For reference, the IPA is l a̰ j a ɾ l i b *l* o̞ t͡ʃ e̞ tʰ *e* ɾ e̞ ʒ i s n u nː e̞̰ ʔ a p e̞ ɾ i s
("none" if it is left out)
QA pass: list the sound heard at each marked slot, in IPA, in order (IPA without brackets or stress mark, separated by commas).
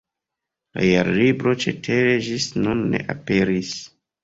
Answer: ɾ, e